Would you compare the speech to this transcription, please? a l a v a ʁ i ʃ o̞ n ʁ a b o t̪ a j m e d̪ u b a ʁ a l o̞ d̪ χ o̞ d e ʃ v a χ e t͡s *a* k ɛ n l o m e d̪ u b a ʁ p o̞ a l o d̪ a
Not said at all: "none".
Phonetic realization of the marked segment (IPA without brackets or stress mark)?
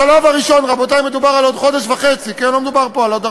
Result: i